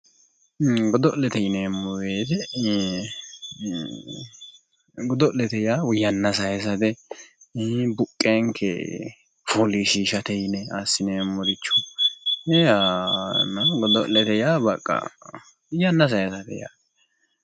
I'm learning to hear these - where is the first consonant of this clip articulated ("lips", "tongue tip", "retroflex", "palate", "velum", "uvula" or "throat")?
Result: velum